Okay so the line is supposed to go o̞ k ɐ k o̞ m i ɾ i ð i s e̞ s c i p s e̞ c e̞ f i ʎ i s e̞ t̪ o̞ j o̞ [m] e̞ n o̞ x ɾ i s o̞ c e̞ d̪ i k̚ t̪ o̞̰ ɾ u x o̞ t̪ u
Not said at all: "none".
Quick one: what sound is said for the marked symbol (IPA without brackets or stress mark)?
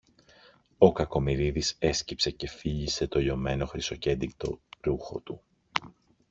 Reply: m